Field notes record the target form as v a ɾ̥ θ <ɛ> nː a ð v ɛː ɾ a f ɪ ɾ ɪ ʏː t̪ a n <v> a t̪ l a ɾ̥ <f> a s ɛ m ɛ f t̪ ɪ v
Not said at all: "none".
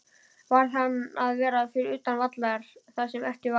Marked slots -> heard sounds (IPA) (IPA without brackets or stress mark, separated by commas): a, v, θ